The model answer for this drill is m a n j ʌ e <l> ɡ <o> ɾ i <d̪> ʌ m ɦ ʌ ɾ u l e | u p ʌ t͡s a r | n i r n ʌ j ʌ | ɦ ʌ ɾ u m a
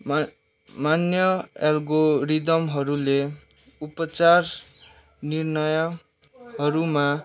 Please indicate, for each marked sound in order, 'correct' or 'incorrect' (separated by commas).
correct, correct, correct